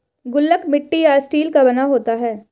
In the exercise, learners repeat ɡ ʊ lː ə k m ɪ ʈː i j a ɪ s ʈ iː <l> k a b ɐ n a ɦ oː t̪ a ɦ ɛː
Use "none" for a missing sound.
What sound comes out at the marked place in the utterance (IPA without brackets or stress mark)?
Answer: l